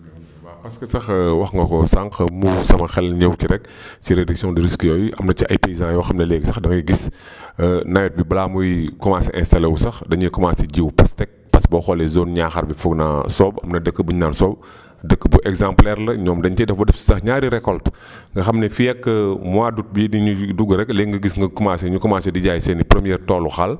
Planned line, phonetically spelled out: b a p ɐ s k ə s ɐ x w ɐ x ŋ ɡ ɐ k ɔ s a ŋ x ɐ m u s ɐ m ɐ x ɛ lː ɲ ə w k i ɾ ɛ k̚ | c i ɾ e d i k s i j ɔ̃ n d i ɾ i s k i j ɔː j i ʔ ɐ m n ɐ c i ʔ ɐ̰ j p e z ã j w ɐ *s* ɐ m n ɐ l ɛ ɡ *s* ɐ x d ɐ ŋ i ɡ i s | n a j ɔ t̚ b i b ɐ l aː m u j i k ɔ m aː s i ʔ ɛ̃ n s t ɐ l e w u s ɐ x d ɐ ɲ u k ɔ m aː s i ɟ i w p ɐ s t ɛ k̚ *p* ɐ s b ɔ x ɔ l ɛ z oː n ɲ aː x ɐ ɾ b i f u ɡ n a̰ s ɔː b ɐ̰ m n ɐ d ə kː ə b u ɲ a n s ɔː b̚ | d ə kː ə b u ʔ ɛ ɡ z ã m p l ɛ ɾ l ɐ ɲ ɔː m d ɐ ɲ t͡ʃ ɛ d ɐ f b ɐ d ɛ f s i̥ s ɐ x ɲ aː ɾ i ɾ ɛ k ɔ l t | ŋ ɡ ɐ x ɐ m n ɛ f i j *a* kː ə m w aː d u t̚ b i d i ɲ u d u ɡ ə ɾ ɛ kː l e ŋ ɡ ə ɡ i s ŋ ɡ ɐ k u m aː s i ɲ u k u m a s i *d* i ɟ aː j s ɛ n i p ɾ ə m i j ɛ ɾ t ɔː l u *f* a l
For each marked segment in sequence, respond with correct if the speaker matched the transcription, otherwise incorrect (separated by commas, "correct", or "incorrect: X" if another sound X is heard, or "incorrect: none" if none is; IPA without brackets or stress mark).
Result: incorrect: x, correct, correct, incorrect: ɛ, correct, incorrect: x